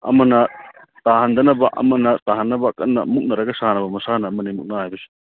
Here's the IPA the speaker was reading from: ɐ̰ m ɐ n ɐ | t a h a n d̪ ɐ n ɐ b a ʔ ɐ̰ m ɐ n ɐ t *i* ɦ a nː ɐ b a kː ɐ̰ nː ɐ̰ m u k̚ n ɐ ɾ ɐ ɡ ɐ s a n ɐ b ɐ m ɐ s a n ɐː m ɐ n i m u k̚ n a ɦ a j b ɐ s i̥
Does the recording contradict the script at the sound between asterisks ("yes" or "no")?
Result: yes